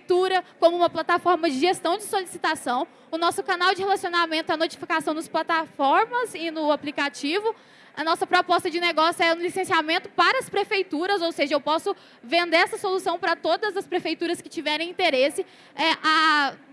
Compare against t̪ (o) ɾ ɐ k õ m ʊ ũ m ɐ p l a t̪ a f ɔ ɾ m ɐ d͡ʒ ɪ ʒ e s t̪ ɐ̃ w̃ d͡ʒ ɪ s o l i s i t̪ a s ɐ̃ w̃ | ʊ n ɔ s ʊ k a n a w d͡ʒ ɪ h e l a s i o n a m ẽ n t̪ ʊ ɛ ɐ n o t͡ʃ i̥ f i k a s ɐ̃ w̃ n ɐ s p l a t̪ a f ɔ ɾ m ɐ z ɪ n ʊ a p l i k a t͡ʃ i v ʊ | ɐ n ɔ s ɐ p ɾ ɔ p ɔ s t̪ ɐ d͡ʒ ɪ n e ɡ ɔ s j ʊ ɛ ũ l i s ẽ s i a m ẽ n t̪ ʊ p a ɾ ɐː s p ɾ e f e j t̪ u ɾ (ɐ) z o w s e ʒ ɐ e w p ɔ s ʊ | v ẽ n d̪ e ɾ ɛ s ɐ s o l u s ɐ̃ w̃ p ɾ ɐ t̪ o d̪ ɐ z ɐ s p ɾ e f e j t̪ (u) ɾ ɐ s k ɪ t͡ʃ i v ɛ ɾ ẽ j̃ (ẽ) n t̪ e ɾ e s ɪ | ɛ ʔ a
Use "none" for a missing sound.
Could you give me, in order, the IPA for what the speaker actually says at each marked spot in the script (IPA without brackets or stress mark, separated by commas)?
u, ɐ, u, ĩ